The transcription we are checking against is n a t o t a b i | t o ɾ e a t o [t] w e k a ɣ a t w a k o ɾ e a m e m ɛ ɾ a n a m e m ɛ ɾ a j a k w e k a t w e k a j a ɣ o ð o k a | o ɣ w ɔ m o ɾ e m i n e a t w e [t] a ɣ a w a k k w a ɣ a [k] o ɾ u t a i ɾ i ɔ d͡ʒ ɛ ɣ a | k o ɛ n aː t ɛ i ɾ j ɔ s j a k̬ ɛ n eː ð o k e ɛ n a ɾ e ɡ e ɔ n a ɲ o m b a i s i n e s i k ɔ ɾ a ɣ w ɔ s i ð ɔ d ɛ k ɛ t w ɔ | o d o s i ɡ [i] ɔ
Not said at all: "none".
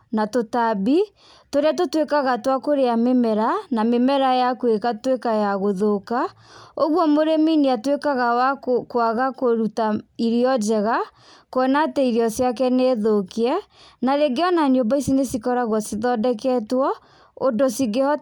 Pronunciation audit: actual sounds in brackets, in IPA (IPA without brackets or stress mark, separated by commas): t, k, k, e